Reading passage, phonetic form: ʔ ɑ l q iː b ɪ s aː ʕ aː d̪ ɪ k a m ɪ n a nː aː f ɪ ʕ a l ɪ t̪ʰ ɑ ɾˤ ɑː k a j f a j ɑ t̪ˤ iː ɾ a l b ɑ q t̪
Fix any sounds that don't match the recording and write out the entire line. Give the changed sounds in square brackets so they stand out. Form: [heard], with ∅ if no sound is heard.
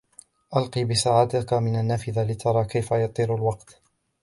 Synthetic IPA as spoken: ʔ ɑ l q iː b ɪ s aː ʕ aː [t̪] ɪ k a m ɪ n a nː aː f ɪ [ð] a l ɪ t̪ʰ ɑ ɾˤ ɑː k a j f a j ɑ t̪ˤ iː ɾ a l [w] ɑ q t̪